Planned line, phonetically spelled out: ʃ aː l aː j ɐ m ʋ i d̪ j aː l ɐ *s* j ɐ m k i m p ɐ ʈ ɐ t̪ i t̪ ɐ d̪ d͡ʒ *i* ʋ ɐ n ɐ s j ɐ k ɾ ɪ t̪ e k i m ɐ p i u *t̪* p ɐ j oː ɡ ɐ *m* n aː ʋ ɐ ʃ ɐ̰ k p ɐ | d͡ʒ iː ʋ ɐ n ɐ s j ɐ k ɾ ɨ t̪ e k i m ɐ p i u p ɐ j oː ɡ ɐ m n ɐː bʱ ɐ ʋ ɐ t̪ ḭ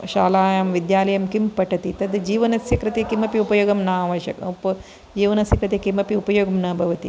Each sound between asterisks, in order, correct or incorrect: incorrect: none, incorrect: iː, incorrect: none, correct

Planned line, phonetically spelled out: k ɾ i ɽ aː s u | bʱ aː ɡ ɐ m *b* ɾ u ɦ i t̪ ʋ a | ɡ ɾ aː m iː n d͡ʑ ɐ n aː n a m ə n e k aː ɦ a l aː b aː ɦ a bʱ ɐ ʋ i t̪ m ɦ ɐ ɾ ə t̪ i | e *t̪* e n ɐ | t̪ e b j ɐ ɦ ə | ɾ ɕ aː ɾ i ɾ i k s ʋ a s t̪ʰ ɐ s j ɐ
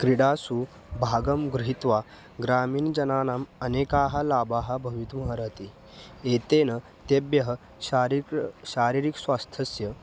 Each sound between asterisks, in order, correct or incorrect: incorrect: ɡ, correct

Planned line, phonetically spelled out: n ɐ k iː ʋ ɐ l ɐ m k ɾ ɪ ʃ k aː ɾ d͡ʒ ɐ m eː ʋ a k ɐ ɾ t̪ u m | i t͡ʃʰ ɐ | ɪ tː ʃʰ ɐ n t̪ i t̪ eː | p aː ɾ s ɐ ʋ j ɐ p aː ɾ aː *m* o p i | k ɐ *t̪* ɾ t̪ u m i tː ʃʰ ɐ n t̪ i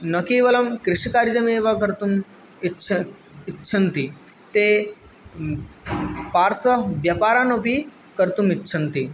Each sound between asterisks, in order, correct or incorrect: incorrect: n, incorrect: none

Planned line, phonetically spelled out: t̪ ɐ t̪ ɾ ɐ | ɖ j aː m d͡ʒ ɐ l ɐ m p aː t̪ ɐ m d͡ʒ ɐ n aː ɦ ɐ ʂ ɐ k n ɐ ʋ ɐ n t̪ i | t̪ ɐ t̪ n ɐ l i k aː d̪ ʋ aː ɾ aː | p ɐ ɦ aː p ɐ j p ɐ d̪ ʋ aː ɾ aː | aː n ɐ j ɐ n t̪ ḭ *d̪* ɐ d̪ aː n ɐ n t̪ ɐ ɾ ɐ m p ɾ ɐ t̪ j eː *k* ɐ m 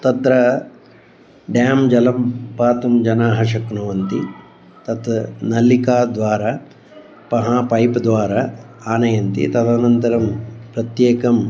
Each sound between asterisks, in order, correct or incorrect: incorrect: t̪, correct

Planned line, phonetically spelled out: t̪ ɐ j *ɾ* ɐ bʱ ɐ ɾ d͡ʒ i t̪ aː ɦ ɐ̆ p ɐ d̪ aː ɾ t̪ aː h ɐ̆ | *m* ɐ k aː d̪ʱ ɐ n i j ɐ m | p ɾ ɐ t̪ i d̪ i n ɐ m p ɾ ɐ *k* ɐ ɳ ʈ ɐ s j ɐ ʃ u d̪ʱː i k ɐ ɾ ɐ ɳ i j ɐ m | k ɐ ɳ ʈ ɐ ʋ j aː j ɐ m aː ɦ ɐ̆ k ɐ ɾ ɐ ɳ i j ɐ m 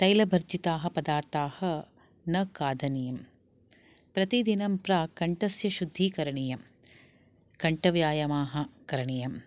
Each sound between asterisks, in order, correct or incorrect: incorrect: l, incorrect: n, correct

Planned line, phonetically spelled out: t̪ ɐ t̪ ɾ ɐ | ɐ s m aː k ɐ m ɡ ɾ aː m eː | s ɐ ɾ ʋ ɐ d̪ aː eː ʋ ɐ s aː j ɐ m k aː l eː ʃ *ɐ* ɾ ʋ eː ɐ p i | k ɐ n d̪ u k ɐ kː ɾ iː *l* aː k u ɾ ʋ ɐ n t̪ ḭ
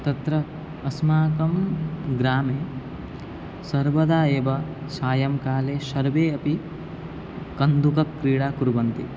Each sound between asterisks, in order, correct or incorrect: correct, incorrect: ɽ

